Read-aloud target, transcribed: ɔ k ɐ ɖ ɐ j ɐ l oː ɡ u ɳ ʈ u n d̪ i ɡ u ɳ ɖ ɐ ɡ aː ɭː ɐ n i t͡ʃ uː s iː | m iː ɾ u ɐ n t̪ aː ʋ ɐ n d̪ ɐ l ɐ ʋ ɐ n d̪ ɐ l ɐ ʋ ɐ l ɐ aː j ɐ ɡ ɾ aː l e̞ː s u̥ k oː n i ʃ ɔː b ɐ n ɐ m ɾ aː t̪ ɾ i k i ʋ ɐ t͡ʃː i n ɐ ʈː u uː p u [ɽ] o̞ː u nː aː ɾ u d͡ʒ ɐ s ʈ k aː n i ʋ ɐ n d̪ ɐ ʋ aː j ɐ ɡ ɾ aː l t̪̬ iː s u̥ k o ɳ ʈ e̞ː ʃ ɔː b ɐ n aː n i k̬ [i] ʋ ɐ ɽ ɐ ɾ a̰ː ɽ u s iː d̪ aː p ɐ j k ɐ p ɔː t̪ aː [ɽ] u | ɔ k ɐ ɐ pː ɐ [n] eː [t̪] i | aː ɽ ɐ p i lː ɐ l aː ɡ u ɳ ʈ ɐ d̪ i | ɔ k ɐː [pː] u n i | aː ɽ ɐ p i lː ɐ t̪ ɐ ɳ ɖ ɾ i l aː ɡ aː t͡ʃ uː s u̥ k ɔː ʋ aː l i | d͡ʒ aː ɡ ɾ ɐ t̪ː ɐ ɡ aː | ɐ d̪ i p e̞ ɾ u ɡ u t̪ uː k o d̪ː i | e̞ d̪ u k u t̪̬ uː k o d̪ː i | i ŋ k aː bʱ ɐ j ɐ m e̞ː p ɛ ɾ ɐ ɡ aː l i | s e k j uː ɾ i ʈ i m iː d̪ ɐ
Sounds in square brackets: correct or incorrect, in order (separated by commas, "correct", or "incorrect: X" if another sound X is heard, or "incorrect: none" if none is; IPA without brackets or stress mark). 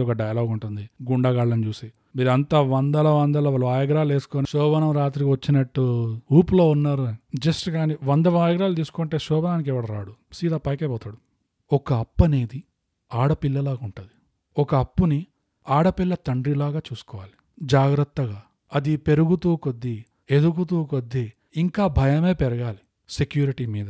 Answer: incorrect: l, incorrect: ɛ, correct, correct, incorrect: d̪, correct